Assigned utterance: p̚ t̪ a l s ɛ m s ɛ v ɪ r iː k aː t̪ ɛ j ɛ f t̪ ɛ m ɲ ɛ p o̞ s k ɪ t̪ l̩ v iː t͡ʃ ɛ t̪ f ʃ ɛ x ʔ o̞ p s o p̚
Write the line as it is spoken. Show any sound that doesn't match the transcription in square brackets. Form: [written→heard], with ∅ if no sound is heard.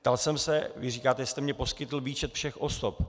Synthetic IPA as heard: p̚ t̪ a l s ɛ m s ɛ v ɪ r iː k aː t̪ ɛ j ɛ [f→s] t̪ ɛ m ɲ ɛ p o̞ s k ɪ t̪ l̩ v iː t͡ʃ ɛ t̪ f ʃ ɛ x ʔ o̞ [p→∅] s o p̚